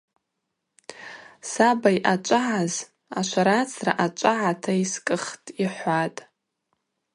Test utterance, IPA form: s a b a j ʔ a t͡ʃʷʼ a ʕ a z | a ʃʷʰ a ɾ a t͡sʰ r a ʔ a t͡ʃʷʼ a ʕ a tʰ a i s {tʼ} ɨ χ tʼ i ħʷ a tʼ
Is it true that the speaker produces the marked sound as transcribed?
no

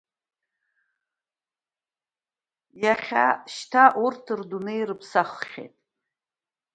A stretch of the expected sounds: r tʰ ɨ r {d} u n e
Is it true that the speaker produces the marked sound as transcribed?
yes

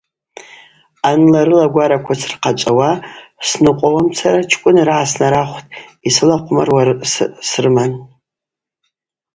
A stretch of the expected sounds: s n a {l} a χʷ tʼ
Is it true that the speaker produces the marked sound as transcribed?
no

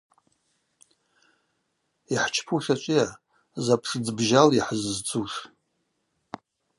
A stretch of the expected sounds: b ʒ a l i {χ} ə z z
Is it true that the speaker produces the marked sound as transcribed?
no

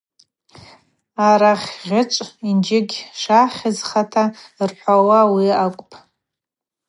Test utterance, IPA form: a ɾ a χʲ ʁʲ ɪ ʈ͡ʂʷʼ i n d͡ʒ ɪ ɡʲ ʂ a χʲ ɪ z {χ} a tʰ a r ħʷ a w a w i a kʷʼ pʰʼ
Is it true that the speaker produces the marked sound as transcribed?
yes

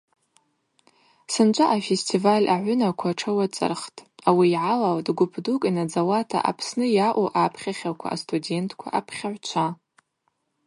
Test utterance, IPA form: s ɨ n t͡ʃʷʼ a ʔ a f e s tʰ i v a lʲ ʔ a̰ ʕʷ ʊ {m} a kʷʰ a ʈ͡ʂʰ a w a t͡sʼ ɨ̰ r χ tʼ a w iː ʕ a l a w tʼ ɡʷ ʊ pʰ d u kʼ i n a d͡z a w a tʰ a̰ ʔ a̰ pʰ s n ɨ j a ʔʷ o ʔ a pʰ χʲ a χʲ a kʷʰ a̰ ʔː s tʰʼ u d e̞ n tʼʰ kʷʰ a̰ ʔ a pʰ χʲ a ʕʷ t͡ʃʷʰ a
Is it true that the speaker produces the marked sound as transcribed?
no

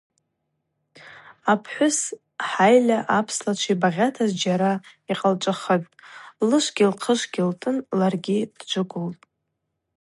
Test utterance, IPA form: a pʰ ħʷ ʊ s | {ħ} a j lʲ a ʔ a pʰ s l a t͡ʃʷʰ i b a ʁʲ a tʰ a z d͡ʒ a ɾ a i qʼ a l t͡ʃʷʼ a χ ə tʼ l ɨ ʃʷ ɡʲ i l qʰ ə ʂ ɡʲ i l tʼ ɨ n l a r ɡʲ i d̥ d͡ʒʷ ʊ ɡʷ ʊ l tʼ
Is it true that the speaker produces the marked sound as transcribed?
yes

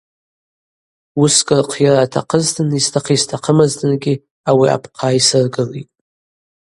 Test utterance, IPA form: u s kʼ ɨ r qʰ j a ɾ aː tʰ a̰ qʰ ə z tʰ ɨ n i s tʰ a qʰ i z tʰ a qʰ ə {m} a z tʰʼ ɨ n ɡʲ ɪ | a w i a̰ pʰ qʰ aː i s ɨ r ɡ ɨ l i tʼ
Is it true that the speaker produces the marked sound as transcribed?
yes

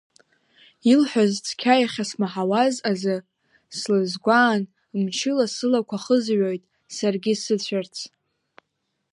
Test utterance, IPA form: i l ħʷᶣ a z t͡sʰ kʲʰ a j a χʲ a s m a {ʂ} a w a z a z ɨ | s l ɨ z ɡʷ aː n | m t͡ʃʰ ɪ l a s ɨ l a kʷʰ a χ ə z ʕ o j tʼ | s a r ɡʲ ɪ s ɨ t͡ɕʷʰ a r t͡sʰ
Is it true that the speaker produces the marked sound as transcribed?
no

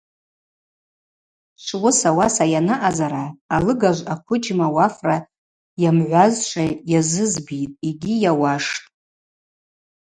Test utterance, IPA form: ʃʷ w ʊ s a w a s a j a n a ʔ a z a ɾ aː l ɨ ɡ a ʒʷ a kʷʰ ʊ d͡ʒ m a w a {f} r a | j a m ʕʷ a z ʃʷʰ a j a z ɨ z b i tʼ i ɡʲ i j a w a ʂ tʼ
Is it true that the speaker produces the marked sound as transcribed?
yes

